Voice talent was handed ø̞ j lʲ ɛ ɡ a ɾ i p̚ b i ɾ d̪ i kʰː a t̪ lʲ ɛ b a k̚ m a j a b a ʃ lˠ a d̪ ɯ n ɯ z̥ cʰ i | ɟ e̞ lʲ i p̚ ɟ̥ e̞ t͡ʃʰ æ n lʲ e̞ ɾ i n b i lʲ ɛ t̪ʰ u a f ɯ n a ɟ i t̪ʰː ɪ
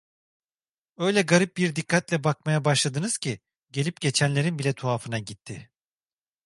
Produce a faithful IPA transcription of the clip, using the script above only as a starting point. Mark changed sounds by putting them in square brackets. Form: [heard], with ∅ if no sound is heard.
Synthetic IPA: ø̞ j lʲ ɛ ɡ a ɾ i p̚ b i ɾ d̪ i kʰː a t̪ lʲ ɛ b a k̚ m a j a b a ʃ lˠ a d̪ ɯ n ɯ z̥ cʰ i | ɟ e̞ lʲ i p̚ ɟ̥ e̞ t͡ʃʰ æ n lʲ e̞ ɾ i n b i lʲ ɛ t̪ʰ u a f ɯ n a ɟ i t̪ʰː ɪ